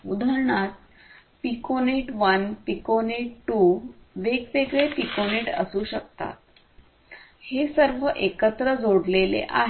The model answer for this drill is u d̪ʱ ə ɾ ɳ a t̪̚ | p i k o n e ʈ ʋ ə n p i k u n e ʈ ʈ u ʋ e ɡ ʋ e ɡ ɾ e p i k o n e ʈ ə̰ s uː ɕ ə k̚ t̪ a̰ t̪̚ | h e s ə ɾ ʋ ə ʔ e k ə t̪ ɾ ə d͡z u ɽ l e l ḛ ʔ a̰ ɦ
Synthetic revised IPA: u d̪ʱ ə ɾ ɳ a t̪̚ | p i k o n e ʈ ʋ ə n p i k o n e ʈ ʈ u ʋ e ɡ ʋ e ɡ ɭ e p i k o n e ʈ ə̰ s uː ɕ ə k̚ t̪ a̰ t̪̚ | h e s ə ɾ ʋ ə ʔ e k ə t̪ ɾ ə d͡z o ɽ l e l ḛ ʔ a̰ ɦ